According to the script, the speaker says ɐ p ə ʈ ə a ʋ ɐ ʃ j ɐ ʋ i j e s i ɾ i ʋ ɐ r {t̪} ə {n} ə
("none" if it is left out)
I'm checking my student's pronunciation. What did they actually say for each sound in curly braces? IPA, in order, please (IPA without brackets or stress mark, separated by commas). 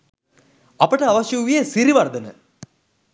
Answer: d̪, n